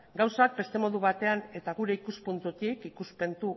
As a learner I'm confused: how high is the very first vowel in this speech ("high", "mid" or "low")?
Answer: low